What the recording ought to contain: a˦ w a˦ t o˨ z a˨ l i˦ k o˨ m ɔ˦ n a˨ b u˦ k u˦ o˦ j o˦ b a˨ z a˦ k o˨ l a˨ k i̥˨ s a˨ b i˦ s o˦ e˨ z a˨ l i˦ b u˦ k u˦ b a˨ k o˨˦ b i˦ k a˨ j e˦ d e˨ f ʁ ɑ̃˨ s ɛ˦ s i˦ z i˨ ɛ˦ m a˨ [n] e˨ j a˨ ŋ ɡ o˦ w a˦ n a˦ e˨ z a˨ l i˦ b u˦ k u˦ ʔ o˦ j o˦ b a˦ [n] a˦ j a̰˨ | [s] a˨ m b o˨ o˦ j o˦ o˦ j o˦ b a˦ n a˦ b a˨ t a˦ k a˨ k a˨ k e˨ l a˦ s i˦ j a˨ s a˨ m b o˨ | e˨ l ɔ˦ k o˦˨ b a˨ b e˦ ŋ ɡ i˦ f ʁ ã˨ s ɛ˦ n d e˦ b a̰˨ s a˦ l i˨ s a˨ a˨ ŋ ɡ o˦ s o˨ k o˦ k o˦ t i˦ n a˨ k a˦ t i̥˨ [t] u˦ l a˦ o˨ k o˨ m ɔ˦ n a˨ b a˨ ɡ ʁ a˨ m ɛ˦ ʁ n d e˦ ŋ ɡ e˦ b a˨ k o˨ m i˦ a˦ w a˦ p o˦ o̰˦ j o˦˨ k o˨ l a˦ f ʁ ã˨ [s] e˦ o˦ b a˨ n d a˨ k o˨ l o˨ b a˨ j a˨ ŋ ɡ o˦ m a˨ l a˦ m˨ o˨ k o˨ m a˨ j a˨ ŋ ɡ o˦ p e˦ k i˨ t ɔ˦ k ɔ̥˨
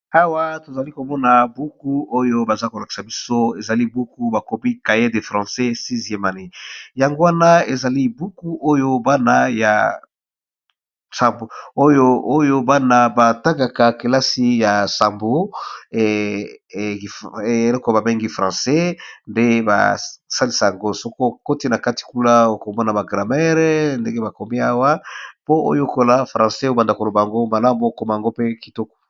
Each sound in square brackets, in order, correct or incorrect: correct, correct, correct, incorrect, correct

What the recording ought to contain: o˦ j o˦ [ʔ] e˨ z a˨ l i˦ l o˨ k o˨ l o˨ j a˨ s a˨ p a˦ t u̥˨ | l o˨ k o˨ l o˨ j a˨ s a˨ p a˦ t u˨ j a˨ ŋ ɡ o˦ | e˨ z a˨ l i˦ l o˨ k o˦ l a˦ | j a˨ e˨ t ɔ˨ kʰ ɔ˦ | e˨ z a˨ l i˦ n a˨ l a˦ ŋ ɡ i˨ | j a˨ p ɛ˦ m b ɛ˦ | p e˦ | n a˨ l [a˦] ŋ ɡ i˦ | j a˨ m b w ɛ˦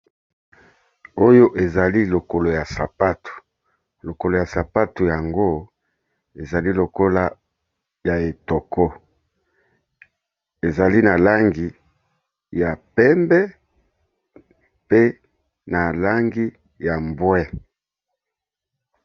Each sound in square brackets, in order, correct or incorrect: correct, correct

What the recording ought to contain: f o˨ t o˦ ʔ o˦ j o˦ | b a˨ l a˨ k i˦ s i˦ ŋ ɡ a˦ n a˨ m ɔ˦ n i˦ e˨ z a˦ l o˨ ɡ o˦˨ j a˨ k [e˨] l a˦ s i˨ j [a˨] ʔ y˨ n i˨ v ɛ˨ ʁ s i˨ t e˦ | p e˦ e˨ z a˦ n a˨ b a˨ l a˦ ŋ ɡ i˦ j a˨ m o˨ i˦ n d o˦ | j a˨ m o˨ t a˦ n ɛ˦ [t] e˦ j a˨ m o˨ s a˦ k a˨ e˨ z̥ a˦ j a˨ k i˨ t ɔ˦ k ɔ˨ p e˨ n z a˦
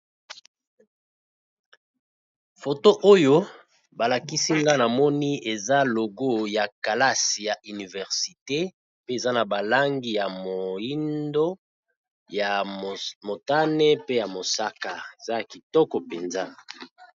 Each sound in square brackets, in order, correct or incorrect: incorrect, correct, incorrect

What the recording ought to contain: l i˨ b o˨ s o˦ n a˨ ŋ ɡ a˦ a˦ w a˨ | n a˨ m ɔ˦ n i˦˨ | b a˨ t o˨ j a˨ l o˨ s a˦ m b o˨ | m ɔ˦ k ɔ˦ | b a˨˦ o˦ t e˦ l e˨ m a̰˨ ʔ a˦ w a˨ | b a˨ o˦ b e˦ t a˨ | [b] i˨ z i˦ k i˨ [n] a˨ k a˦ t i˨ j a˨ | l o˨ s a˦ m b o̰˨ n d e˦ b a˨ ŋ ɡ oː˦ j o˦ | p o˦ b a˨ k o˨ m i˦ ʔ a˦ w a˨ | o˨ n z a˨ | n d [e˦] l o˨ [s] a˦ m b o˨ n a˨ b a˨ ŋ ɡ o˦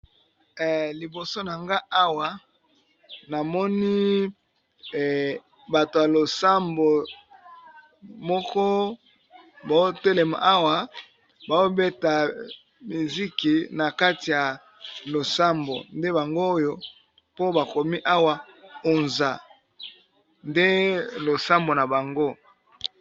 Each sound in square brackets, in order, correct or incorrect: incorrect, correct, correct, correct

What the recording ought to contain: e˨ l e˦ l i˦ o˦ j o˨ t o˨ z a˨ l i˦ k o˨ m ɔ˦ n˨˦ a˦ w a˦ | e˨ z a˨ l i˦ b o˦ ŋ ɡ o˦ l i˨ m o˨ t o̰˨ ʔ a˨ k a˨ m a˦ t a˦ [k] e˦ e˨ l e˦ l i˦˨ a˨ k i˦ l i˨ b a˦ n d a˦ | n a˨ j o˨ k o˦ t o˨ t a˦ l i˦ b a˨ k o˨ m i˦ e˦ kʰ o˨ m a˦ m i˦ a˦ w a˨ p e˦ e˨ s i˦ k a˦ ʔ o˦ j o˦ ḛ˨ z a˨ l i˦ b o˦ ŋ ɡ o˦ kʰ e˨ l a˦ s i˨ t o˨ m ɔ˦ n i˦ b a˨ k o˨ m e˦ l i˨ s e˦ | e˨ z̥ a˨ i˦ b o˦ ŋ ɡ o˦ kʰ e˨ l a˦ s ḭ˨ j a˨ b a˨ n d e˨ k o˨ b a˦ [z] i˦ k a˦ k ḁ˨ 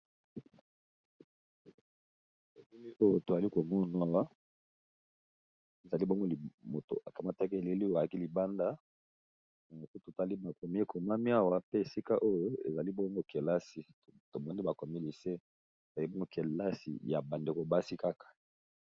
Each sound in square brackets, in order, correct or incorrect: correct, incorrect

